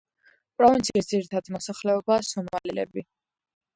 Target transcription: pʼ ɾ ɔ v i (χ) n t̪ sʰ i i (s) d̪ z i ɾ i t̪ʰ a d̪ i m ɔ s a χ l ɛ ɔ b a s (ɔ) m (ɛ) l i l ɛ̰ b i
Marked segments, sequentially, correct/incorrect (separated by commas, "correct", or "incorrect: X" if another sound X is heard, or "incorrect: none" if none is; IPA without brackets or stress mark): incorrect: none, correct, correct, incorrect: a